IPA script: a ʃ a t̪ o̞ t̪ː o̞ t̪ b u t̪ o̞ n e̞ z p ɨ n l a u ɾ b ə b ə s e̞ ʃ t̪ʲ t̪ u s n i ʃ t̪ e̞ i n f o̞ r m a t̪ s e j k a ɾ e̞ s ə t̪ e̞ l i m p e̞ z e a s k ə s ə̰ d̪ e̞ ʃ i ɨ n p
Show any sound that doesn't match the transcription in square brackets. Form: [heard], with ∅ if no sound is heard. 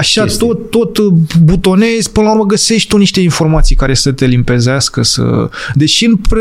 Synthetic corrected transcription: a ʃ a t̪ o̞ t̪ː o̞ t̪ b u t̪ o̞ n e̞ z p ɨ n l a u ɾ [m] ə [ɡ] ə s e̞ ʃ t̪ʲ t̪ u [∅] n i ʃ t̪ e̞ i n f o̞ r m a t̪ s [i] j k a ɾ e̞ s ə t̪ e̞ l i m p e̞ z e a s k ə s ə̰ d̪ e̞ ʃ i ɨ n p